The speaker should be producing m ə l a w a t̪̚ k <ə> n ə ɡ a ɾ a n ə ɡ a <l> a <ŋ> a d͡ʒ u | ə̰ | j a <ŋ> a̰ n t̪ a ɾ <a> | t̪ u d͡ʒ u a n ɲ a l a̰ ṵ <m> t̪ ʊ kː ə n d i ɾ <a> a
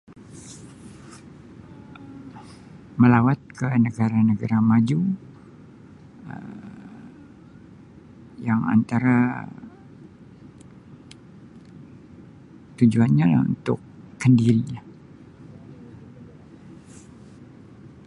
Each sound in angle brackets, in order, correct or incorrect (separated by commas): correct, incorrect, incorrect, correct, correct, incorrect, incorrect